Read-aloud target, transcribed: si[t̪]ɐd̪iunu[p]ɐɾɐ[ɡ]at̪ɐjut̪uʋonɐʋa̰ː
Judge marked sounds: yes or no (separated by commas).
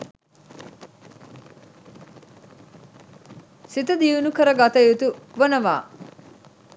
yes, no, yes